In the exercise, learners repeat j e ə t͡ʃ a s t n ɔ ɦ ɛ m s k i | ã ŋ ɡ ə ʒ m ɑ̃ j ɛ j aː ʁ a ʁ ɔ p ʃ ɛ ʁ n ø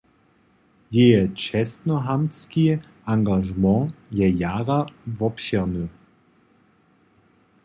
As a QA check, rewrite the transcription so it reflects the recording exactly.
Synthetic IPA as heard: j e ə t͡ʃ ɛ s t n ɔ ɦ a m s k i | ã ŋ ɡ a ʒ m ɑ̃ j ɛ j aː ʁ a v ɔ p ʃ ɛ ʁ n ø

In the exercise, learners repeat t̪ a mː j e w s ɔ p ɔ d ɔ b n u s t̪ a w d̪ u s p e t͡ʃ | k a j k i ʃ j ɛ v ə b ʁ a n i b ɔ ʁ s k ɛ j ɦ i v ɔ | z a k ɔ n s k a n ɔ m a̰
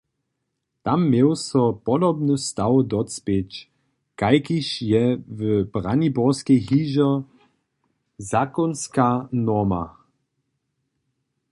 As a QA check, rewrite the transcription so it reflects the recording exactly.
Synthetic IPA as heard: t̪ a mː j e w s ɔ p ɔ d ɔ b n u s t̪ a w d̪ ɔ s p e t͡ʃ | k a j k i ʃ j ɛ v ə b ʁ a n i b ɔ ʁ s k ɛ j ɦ i ʒ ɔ | z a k ɔ n s k a n ɔ m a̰

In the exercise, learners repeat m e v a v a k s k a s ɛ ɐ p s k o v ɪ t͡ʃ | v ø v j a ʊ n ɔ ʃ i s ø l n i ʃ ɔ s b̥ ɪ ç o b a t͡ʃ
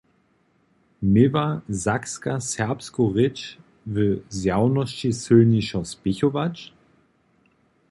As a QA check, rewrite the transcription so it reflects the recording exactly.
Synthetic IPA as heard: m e v a z a k s k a s ɛ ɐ p s k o ʁ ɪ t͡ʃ | v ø z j a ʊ n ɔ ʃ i s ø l n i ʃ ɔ s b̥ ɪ ç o v a t͡ʃ

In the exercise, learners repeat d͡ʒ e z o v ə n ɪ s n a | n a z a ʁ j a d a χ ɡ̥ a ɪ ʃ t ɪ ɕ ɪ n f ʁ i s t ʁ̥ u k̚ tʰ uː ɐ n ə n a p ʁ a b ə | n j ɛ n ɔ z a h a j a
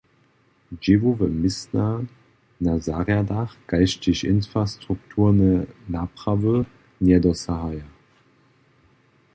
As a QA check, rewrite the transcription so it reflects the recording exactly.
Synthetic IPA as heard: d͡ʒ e v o v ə m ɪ s n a | n a z a ʁ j a d a χ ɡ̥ a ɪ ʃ t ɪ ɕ ɪ n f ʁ a s t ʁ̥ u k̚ tʰ uː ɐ n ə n a p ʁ a v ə | n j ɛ d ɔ s a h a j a

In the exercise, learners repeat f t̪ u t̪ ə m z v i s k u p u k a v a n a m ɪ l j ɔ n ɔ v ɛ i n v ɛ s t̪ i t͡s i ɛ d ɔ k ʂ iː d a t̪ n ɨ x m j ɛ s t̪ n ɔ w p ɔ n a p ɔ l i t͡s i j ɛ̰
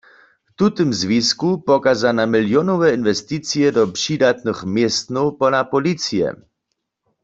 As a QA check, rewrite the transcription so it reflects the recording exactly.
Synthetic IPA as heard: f t̪ u t̪ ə m z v i s k u p ɔ k a z a n a m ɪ l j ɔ n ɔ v ɛ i n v ɛ s t̪ i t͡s i ɛ d ɔ p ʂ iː d a t̪ n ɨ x m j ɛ s t̪ n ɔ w p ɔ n a p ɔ l i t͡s i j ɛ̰

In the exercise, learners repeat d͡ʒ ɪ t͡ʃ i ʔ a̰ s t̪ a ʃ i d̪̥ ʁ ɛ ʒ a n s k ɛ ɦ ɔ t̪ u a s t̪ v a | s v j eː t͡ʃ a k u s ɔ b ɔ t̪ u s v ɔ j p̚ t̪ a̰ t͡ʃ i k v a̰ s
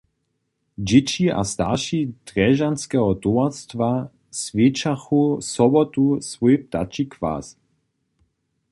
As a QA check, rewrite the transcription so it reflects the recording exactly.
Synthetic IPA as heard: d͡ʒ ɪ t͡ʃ i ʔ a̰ s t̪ a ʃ i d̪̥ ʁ ɛ ʒ a n s k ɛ ɦ ɔ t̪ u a s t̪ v a | s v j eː t͡ʃ a x u s ɔ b ɔ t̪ u s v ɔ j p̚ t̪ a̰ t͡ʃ i k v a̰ s

